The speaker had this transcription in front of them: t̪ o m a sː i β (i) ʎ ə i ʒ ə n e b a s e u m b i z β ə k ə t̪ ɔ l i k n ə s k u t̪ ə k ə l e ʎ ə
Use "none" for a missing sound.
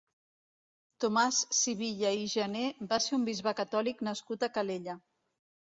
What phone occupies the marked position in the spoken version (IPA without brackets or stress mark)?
i